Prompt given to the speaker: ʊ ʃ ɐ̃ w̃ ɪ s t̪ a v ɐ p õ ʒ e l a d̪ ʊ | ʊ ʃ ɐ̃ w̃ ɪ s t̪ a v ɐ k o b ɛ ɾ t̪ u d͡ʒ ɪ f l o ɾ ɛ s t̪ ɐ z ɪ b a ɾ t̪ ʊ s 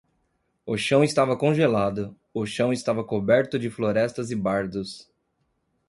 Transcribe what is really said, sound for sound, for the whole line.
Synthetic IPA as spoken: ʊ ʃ ɐ̃ w̃ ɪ s t̪ a v ɐ k õ ʒ e l a d̪ ʊ | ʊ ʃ ɐ̃ w̃ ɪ s t̪ a v ɐ k o b ɛ ɾ t̪ ʊ d͡ʒ ɪ f l o ɾ ɛ s t̪ ɐ z ɪ b a ɾ d̪ ʊ s